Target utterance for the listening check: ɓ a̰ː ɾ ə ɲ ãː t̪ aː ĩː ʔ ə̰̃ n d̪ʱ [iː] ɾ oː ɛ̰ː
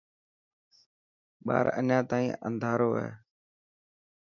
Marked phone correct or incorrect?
incorrect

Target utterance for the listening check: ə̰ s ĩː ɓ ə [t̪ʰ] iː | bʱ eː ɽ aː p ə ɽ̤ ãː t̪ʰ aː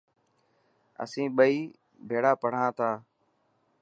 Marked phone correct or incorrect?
incorrect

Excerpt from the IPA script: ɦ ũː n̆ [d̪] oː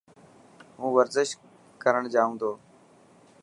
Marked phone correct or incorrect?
correct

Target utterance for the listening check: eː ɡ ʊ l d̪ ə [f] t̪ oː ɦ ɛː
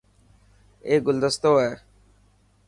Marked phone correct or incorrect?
incorrect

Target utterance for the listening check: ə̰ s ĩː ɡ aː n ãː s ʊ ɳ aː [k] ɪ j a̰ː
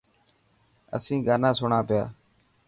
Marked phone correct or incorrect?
incorrect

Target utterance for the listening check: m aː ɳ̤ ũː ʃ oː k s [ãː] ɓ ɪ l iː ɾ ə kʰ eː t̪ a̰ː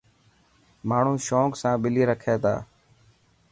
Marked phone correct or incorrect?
correct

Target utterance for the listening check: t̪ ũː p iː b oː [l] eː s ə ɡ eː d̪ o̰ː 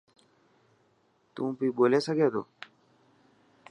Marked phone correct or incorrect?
correct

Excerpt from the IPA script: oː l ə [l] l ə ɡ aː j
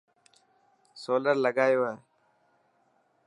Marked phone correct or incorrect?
incorrect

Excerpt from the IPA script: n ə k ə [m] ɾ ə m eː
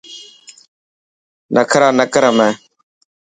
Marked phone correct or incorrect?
incorrect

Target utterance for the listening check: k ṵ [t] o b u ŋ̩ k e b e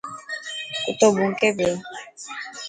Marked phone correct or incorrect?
correct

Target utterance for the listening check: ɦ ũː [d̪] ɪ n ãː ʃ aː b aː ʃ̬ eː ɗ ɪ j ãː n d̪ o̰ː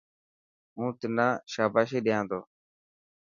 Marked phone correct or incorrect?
incorrect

